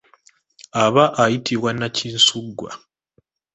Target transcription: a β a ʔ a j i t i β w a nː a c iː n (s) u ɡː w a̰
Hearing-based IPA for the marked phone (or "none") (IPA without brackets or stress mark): s